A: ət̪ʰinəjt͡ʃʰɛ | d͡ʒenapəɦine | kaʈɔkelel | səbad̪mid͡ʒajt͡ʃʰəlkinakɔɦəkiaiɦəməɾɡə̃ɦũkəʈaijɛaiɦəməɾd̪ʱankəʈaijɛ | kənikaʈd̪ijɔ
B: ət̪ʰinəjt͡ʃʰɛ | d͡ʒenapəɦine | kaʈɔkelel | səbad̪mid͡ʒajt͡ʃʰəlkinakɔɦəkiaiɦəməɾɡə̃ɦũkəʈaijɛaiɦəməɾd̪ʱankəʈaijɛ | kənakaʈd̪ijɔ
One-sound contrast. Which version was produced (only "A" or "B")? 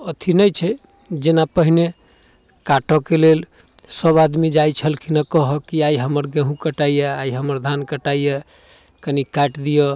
A